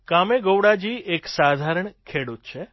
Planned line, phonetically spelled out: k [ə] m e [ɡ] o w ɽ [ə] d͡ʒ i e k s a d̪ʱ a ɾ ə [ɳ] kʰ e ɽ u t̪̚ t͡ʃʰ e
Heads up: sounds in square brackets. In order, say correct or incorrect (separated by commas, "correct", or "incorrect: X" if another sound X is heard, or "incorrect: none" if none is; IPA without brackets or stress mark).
incorrect: a, correct, incorrect: a, correct